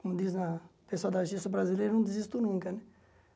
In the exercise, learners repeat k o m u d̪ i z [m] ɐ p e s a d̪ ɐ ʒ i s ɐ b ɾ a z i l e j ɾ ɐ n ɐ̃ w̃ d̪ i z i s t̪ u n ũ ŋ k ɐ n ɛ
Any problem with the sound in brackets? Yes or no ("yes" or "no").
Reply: yes